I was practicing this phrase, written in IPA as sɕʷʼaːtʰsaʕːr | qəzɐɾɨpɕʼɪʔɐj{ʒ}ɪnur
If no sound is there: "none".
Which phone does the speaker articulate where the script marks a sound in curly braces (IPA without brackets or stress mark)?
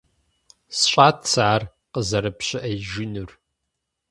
ʒ